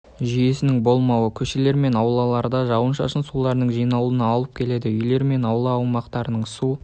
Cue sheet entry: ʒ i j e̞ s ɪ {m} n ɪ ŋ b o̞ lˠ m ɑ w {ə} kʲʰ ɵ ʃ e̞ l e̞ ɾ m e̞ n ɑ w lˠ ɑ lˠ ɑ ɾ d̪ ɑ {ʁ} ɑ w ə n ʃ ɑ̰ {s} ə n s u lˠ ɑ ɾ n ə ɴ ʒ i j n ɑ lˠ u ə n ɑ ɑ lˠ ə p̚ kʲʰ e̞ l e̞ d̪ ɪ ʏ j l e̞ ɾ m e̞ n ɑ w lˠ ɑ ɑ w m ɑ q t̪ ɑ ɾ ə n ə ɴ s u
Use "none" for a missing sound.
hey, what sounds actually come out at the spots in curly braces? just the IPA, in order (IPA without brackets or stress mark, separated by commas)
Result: none, ə, ʒ, ʃ